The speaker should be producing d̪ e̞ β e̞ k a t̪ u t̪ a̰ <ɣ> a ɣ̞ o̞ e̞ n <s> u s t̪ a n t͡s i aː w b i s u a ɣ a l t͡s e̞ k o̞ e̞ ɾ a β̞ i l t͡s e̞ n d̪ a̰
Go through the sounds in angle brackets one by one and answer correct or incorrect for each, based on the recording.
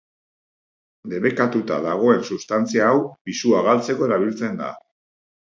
incorrect: ð, correct

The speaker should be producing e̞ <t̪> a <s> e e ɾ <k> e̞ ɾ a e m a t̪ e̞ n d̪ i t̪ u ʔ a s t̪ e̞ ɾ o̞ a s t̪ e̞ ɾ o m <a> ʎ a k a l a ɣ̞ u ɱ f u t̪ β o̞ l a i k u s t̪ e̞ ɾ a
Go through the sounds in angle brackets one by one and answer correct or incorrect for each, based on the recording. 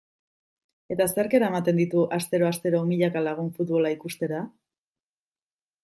correct, correct, correct, incorrect: i

